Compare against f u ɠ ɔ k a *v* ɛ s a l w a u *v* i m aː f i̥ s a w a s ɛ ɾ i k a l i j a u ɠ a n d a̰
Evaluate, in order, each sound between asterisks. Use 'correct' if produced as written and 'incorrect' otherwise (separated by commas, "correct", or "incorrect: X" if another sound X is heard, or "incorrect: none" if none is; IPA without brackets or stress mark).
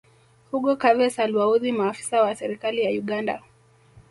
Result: correct, incorrect: ð